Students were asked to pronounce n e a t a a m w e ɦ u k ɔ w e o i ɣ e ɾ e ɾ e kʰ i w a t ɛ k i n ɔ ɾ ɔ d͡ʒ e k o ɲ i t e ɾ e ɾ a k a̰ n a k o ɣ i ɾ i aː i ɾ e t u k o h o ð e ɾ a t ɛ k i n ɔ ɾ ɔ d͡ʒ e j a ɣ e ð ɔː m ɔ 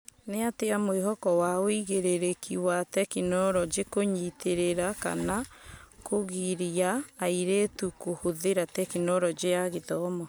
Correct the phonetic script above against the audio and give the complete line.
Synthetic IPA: n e a t e a m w e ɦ ɔ k ɔ w a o i ɣ e ɾ e ɾ e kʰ i w a t ɛ k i n ɔ ɾ ɔ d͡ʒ e k o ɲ i t e ɾ e ɾ a k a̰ n a k o ɣ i ɾ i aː i ɾ e t u k o h o ð e ɾ a t ɛ k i n ɔ ɾ ɔ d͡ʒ e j a ɣ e ð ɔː m ɔ